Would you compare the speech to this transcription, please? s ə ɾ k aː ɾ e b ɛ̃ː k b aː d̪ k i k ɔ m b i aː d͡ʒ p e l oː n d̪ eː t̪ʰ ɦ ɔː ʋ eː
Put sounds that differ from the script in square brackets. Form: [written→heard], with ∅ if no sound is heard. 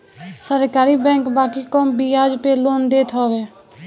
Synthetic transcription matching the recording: s ə ɾ k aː ɾ [e→i] b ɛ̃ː k b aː [d̪→∅] k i k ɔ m b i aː d͡ʒ p e l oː n d̪ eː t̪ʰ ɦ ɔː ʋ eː